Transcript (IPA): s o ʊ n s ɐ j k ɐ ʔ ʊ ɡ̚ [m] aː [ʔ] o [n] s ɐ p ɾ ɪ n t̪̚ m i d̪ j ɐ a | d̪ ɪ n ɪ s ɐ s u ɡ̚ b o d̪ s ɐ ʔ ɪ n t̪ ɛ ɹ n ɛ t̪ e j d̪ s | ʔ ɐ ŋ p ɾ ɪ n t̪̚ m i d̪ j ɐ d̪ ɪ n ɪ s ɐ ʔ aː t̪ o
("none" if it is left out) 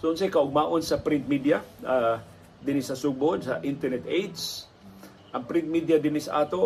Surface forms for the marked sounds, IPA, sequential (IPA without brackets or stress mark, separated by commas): m, ʔ, n